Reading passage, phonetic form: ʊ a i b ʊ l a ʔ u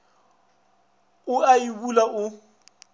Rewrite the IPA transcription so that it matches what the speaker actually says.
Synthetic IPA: ʊ a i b u l a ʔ ʊ